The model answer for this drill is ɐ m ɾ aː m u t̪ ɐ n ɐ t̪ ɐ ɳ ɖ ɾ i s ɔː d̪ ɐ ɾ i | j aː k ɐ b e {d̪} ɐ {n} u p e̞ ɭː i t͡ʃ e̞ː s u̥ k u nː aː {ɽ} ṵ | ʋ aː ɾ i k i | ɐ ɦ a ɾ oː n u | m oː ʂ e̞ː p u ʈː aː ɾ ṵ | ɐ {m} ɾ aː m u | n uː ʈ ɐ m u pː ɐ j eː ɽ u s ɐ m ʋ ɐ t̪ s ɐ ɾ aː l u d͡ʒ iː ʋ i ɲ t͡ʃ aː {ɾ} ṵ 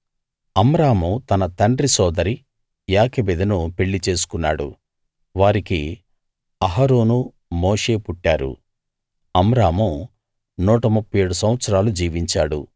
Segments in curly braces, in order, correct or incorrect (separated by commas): correct, correct, correct, correct, incorrect